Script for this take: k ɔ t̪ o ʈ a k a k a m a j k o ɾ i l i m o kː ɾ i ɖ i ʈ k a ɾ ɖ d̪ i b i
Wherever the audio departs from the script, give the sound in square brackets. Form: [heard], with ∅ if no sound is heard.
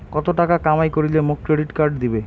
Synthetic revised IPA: k ɔ t̪ o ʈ a k a k a m a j k o ɾ i l [e] m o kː ɾ [e] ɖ i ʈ k a ɾ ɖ d̪ i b [e]